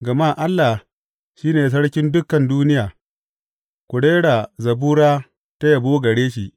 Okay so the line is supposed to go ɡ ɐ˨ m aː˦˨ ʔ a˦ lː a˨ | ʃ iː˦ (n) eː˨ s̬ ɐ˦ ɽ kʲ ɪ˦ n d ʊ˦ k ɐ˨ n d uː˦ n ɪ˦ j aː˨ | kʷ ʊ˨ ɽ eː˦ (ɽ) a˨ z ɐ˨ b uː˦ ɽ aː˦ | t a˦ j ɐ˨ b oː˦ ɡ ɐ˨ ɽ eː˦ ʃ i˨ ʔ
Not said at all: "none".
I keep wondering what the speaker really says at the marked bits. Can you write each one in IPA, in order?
n, ɽ

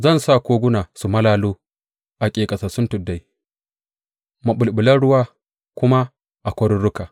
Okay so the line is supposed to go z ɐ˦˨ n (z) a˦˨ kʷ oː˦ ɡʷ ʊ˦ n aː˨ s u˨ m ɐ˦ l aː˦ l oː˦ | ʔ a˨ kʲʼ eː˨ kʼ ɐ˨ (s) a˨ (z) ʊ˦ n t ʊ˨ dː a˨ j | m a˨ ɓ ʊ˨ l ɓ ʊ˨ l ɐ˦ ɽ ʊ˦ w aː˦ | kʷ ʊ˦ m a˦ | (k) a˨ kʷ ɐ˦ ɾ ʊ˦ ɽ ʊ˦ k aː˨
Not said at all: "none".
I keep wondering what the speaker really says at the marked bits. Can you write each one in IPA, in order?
s, s, s, ʔ

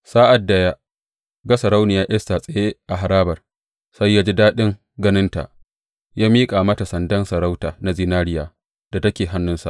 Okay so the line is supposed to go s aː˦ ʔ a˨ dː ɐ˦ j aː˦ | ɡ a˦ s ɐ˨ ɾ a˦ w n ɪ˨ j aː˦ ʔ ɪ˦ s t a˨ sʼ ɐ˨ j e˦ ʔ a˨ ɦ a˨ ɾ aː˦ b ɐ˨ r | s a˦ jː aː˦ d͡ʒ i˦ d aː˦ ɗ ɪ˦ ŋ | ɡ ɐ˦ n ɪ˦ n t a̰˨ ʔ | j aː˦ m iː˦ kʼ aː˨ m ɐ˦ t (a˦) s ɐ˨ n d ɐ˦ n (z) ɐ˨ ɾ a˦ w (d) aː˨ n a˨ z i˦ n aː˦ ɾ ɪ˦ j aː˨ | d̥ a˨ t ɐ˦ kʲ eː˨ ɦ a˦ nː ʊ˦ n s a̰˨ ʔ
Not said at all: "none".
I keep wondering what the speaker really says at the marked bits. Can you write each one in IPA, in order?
a˨, s, t

